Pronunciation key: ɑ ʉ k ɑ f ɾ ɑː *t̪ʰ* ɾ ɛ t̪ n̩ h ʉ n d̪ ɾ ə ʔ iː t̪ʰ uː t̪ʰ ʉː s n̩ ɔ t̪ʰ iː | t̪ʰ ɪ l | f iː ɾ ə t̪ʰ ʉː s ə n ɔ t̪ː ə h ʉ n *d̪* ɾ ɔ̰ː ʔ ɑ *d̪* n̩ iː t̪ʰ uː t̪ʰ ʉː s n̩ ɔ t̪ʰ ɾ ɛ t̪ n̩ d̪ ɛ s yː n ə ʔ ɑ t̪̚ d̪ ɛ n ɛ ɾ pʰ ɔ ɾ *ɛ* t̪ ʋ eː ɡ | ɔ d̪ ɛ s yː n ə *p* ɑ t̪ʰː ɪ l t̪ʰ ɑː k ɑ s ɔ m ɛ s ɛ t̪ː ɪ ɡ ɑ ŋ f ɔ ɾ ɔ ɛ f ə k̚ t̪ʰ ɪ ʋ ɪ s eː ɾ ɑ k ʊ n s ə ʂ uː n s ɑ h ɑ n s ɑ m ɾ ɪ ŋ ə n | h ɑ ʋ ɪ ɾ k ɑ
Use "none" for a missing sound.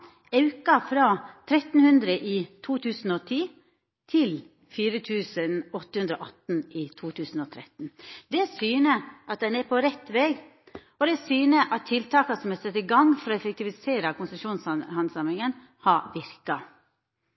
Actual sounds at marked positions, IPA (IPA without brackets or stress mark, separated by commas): t̪ʰ, d̪, t̪, ɛ, ʔ